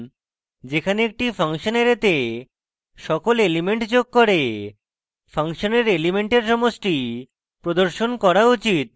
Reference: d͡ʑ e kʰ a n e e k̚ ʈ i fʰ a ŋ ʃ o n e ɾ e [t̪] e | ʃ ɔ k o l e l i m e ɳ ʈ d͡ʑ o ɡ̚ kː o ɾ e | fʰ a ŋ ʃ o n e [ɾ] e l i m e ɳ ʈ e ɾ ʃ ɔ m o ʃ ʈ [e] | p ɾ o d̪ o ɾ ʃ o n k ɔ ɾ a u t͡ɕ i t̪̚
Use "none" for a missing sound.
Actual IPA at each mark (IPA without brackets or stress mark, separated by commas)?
t̪, ɾ, i